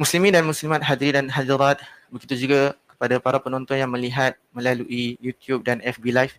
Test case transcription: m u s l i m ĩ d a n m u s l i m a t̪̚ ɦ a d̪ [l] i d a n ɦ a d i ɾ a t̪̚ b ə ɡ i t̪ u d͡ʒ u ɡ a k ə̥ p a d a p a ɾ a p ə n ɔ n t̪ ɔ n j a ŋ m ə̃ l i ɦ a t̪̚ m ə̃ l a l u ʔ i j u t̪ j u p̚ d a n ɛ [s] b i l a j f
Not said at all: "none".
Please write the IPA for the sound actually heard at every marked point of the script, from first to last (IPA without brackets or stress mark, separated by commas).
ɾ, f